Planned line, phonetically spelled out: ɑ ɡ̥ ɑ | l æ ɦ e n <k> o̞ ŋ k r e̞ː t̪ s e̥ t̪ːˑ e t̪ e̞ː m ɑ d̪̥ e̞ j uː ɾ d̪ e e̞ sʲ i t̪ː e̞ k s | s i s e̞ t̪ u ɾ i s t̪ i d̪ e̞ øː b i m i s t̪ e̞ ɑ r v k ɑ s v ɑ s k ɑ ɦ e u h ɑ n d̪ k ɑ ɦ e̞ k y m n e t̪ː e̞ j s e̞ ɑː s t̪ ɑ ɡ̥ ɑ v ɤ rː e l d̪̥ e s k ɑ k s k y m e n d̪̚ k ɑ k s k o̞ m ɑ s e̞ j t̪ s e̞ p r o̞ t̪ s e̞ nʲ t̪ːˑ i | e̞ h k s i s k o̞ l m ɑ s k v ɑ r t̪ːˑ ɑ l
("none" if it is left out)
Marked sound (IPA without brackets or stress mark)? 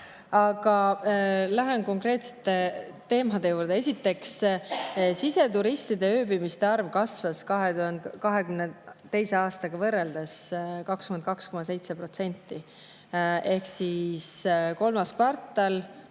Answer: k